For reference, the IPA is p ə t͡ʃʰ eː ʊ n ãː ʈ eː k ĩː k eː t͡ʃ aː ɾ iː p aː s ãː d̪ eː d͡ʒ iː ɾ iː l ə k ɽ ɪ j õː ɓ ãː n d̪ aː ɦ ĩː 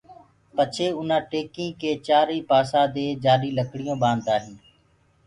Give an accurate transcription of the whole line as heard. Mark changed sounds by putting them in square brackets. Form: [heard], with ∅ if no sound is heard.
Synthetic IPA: p ə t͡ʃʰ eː ʊ n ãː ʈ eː k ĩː k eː t͡ʃ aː ɾ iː p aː s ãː d̪ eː d͡ʒ [aː] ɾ iː l ə k ɽ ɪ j õː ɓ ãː n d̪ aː ɦ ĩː